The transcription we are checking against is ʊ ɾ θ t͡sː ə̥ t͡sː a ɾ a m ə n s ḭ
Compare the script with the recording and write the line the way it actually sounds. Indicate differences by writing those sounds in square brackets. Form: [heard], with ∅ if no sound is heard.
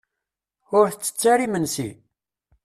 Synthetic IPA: ʊ ɾ θ t͡sː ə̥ t͡sː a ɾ [i] m ə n s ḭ